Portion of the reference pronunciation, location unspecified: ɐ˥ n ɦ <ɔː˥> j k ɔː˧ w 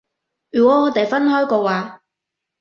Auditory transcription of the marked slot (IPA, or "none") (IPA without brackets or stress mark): ɔː˥